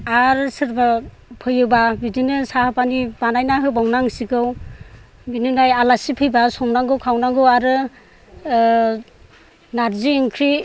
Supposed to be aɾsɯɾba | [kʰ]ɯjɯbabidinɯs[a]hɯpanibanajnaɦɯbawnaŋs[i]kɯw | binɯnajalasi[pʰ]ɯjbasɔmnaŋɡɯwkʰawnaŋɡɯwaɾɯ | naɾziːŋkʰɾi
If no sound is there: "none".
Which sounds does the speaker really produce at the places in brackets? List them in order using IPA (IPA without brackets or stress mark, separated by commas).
pʰ, a, i, pʰ